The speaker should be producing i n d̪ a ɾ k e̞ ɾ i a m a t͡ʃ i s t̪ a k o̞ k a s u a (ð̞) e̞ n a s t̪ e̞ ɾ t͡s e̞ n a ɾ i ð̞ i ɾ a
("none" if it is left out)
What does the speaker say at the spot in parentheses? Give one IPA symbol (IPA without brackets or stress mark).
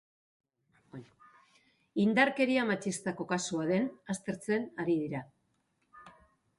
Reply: ð̞